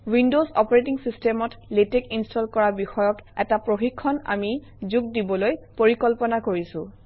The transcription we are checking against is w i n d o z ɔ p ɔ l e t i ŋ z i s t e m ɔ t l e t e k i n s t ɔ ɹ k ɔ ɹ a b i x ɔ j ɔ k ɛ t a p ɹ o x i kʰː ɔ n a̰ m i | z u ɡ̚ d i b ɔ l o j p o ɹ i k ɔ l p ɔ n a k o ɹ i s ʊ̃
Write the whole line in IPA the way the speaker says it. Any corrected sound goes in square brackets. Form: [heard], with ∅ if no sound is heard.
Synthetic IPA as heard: w i n d o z ɔ p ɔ [ɹ] e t i ŋ [s] i s t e m ɔ t l e t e k i n s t ɔ [l] k ɔ ɹ a b i x ɔ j ɔ k ɛ t a p ɹ o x i kʰː ɔ n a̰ m i | z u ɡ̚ d i b ɔ l o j p o ɹ i k ɔ l p ɔ n a k o ɹ i s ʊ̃